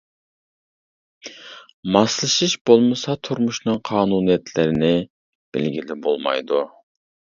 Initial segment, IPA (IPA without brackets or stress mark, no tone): m